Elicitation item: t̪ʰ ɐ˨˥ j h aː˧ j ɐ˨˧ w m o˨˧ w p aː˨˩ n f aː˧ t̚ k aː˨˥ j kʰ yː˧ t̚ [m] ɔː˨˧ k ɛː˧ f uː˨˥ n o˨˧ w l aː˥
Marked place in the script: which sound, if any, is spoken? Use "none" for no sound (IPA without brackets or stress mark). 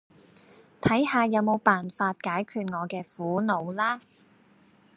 ŋ